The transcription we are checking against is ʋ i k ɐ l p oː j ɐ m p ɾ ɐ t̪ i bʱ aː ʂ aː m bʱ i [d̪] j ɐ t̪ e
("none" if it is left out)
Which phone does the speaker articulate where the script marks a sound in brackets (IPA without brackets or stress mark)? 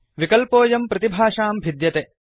d̪